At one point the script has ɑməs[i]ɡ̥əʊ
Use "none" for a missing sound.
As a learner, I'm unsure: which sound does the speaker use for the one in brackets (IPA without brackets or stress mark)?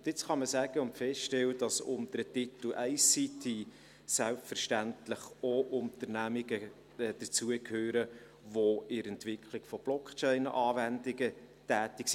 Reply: æ